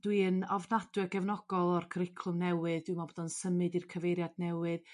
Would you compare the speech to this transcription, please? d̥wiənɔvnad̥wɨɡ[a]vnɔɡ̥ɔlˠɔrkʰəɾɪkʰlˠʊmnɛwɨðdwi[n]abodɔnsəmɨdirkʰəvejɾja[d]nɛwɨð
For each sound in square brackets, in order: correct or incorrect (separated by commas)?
incorrect, incorrect, correct